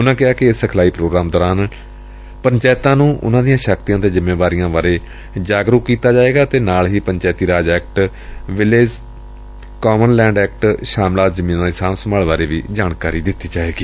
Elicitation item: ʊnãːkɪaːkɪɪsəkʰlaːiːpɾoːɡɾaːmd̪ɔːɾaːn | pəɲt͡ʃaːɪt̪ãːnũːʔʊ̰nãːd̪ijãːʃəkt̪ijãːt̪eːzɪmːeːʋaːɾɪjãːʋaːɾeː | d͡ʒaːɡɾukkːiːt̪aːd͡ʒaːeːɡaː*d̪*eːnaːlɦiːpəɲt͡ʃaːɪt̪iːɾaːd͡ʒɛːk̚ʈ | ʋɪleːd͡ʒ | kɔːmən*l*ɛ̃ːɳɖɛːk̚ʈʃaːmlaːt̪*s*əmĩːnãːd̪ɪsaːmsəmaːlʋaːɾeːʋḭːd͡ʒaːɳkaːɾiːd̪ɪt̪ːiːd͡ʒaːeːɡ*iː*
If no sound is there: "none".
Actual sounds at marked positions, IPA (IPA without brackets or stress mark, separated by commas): t̪, l, z, iː